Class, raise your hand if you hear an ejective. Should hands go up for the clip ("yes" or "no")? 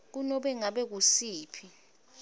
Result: no